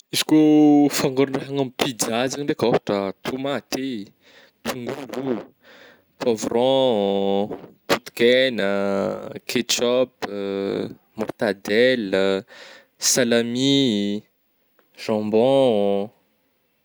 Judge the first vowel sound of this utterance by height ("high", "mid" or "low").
high